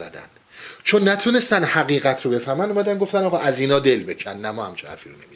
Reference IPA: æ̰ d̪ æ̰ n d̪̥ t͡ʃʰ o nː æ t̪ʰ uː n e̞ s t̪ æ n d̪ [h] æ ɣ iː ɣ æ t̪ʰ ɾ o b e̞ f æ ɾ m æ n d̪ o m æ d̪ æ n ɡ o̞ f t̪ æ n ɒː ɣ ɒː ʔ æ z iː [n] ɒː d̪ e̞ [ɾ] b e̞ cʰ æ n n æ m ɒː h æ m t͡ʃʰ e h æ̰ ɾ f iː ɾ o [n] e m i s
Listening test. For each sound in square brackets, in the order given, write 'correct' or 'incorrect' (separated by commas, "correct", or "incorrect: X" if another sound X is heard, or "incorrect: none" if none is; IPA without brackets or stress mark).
correct, correct, incorrect: l, correct